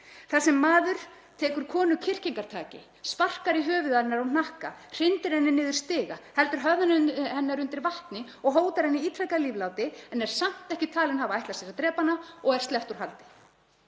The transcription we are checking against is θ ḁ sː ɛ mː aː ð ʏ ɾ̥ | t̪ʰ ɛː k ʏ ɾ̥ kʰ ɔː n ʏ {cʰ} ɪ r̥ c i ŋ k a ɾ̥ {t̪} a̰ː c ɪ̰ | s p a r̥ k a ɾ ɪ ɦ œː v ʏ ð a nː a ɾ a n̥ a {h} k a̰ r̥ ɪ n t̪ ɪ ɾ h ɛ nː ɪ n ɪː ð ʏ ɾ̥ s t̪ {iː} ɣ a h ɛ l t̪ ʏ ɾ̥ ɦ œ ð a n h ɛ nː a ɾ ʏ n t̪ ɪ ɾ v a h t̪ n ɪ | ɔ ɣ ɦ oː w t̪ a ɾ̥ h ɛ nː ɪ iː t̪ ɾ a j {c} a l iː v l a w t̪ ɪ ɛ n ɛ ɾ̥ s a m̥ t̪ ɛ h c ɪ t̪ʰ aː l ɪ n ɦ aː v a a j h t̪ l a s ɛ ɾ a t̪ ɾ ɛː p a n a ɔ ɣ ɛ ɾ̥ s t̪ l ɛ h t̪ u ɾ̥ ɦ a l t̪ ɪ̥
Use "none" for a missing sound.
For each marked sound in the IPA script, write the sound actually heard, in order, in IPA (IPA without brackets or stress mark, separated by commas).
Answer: cʰ, t̪ʰ, h, ɪː, k